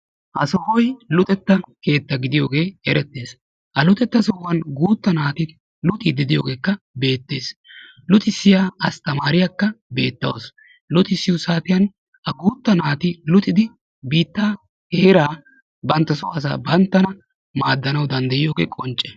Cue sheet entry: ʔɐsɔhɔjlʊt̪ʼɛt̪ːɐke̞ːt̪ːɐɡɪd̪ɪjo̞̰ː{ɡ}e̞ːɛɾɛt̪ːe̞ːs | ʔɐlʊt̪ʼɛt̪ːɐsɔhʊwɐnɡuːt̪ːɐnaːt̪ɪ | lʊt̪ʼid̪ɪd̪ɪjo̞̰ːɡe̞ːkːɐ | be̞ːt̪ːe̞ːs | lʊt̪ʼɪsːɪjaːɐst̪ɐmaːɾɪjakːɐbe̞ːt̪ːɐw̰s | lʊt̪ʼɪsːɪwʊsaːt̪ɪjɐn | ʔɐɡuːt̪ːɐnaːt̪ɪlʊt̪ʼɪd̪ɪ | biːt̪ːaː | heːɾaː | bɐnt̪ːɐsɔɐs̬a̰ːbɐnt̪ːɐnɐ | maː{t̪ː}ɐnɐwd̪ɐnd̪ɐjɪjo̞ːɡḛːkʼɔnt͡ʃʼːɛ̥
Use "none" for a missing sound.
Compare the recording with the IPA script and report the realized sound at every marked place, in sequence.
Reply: ɡ, d̪ː

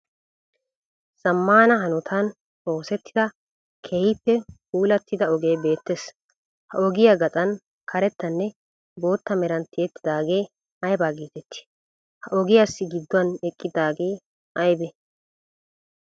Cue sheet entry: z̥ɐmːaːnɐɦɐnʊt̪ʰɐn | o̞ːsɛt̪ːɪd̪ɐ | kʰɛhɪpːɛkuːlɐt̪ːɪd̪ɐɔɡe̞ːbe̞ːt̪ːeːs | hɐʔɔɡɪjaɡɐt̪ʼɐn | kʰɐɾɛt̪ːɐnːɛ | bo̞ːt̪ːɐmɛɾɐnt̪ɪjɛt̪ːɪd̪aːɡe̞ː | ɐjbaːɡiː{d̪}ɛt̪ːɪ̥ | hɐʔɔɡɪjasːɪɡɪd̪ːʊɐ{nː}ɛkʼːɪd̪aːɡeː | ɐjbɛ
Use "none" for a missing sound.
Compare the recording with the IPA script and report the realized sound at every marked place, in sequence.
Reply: t̪, n

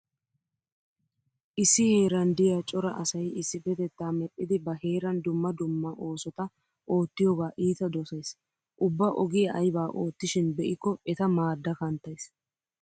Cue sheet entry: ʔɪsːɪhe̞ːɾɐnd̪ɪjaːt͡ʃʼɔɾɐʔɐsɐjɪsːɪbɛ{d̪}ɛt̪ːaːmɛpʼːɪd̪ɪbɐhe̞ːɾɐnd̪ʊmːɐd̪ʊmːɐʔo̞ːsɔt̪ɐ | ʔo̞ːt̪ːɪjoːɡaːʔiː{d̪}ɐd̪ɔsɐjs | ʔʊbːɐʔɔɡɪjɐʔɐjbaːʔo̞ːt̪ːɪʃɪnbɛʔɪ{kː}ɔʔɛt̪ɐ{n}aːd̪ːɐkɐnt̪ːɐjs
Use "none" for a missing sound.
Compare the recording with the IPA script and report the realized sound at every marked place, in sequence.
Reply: t̪, t̪, kː, m

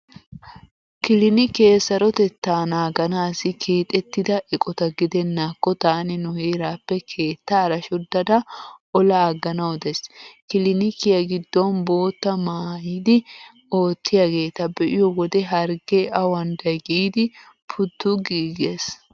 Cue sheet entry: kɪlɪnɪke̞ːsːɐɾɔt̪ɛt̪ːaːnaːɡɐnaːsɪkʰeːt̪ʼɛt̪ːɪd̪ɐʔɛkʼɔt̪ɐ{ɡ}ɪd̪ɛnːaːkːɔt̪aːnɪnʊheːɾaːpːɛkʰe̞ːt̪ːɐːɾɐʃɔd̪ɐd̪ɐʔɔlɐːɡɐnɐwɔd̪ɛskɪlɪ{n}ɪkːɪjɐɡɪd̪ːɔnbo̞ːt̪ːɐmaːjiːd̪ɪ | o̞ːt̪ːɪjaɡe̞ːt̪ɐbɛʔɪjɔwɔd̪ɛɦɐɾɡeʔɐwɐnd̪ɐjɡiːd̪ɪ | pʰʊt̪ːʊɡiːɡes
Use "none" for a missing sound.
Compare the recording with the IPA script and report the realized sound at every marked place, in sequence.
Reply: ɡ, n

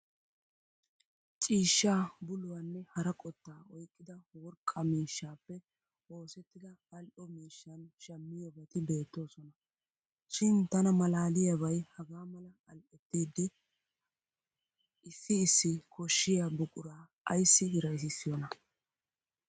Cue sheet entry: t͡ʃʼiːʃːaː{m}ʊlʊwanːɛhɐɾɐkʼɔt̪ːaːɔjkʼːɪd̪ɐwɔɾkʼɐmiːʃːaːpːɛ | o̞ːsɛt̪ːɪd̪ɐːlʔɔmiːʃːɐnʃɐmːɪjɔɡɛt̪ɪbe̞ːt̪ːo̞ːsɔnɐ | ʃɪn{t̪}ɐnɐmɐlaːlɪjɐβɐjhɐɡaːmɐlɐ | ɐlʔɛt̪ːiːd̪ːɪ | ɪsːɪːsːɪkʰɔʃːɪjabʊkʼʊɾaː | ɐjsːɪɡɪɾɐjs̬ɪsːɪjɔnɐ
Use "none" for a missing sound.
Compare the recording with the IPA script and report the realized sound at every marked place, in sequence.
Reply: b, t̪

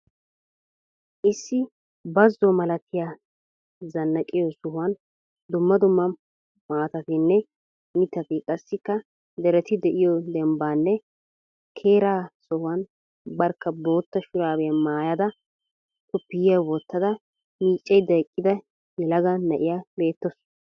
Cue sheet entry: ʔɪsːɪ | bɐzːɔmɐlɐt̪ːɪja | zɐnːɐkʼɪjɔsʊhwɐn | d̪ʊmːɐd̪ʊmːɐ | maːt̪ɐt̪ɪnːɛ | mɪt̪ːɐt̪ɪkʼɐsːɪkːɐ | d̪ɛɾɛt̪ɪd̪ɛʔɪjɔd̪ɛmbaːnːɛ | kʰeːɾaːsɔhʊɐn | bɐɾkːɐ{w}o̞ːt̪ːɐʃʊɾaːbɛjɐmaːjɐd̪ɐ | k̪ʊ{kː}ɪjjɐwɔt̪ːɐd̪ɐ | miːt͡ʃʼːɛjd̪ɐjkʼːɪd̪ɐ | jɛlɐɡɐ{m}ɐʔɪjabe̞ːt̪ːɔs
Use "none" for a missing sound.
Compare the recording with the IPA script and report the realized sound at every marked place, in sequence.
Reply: b, pː, n

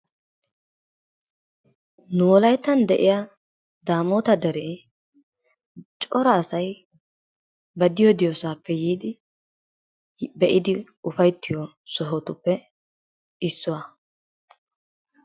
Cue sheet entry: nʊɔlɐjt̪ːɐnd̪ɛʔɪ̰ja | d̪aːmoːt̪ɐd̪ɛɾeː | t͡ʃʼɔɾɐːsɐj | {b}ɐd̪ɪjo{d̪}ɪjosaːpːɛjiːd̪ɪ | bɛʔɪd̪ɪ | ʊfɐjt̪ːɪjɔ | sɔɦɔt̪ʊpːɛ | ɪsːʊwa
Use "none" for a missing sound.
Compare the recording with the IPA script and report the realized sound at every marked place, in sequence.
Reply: b, d̪

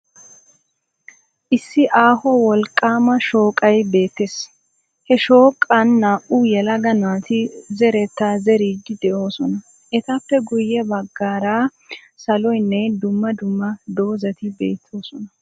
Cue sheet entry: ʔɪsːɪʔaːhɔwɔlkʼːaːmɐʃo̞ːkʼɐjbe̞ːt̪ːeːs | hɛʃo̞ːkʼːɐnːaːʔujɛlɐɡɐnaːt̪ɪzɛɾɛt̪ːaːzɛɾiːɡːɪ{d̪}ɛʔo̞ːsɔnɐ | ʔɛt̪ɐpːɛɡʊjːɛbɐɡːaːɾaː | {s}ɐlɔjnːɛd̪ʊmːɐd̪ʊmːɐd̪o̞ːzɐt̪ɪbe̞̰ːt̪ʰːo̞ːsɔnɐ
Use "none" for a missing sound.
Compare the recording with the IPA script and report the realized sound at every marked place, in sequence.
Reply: d̪, s

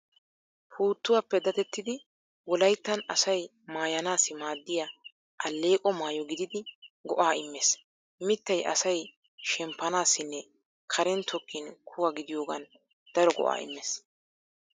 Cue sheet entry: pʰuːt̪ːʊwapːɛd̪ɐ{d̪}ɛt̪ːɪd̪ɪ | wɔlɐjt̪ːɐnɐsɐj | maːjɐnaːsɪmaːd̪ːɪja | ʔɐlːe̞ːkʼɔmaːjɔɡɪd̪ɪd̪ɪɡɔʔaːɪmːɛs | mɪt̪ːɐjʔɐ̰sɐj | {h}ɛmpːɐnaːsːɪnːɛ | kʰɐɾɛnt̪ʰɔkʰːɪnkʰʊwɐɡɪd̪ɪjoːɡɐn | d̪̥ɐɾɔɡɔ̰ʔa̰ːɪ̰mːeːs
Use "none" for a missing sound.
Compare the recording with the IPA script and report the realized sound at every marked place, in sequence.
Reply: t̪, ʃ

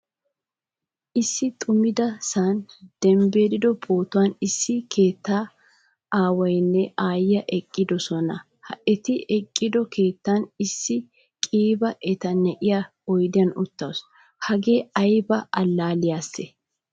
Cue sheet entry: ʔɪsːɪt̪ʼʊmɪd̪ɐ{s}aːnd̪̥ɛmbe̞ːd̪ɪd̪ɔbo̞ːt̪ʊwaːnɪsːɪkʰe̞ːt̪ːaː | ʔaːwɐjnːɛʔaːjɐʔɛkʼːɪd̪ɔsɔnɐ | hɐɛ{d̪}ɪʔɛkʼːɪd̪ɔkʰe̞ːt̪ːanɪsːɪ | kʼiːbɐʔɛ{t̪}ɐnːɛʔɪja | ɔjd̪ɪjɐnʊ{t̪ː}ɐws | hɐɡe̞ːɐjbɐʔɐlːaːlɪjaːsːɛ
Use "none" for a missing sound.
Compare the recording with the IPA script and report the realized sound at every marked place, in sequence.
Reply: s, t̪, t̪, t̪ː

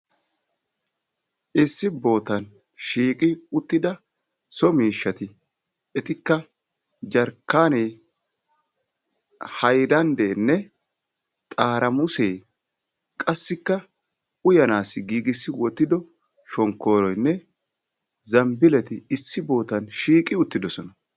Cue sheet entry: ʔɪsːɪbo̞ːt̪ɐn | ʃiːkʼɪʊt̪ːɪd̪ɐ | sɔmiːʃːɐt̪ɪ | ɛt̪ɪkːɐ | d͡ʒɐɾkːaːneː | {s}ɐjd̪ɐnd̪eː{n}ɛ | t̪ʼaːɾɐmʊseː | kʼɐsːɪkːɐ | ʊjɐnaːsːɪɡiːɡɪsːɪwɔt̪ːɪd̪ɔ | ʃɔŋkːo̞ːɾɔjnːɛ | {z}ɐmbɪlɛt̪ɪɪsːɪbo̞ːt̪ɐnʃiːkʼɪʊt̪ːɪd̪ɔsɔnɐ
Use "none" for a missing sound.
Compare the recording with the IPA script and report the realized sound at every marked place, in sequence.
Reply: h, nː, z

